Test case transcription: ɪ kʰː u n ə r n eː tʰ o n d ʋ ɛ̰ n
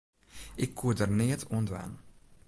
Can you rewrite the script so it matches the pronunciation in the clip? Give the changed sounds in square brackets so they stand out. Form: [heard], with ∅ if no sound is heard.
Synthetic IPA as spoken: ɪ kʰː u [d] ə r n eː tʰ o n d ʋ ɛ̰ n